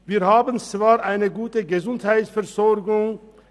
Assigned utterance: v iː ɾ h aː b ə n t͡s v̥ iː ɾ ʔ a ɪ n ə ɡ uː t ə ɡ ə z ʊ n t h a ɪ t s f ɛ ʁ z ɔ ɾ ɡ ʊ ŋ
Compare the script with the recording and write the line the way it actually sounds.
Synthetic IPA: v iː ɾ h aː b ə n t͡s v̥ aː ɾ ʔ a ɪ n ə ɡ uː t ə ɡ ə z ʊ n t h a ɪ t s f ɛ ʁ z ɔ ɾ ɡ ʊ ŋ

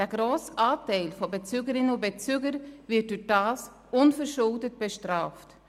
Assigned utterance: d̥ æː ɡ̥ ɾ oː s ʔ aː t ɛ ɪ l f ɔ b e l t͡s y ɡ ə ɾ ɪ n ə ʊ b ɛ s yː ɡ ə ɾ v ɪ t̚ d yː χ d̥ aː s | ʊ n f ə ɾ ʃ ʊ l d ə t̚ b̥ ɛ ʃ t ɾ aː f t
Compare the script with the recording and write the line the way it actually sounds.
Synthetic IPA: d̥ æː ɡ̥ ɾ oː s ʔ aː t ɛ ɪ l f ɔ b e t͡s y ɡ ə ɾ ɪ n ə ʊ b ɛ t͡s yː ɡ ə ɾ v ɪ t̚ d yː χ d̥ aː s | ʊ n f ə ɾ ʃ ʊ l d ə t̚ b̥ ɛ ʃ t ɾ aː f t

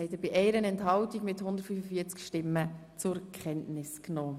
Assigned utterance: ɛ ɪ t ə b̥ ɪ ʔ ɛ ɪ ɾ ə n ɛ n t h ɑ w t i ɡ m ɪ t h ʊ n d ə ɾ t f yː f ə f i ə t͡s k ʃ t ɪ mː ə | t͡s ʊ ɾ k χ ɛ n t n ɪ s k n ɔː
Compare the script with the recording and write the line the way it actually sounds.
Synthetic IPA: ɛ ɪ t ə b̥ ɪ ʔ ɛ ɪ ɾ ə n ɛ n t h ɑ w t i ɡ m ɪ t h ʊ n d ə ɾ t f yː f ə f i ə t͡s k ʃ t ɪ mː ə | t͡s ʊ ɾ k χ ɛ n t n ɪ s k n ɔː

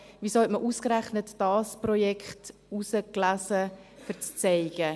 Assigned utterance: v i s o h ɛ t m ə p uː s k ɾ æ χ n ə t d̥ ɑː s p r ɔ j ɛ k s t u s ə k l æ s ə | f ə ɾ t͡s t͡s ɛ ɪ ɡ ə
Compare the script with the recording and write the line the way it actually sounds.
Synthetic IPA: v i s o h ɛ t m ə ʔ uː s k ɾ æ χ n ə t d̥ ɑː s p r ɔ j ɛ k χ t u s ə k l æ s ə | f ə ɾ t͡s t͡s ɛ ɪ ɡ ə

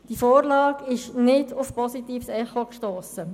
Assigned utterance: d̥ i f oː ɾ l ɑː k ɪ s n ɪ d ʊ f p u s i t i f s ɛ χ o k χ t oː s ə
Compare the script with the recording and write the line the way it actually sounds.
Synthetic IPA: d̥ i f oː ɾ l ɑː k ɪ ʃ n ɪ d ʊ f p ɔ s i t iː f s ɛ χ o k ʃ t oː s ə

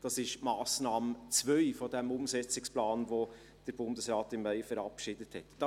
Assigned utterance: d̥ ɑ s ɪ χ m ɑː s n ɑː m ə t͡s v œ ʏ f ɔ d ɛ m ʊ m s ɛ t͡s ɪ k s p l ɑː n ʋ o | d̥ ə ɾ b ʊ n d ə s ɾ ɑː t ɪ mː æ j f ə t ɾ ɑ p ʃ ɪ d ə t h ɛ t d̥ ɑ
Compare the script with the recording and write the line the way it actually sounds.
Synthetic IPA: d̥ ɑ s ɪ ʃ m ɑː s n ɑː m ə t͡s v œ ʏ f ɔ d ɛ m ʊ m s ɛ t͡s ɪ k s p l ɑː n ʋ o | d̥ ə ɾ b ʊ n d ə s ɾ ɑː t ɪ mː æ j f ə ɾ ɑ p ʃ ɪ d ə t h ɛ t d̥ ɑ

